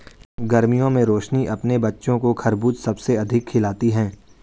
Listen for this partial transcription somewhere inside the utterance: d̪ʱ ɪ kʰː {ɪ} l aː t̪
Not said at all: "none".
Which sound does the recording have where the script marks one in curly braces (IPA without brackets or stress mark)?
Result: ɪ